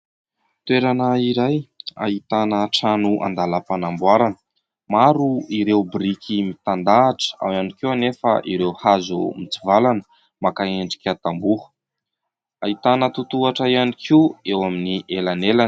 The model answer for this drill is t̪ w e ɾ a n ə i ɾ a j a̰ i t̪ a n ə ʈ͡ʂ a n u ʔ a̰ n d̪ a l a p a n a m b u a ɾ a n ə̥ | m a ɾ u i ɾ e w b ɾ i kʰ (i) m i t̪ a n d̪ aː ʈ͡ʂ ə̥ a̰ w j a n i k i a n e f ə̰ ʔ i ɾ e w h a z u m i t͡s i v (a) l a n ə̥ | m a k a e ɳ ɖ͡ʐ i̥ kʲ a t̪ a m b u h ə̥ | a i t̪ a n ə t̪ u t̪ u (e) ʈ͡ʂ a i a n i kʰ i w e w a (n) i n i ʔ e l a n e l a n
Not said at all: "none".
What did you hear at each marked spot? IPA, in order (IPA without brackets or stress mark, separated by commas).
i, a, a, m